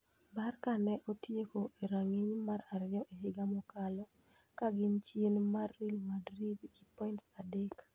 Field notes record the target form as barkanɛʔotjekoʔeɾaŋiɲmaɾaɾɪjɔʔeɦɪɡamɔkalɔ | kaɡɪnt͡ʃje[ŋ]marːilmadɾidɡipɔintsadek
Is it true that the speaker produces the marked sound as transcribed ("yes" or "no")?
no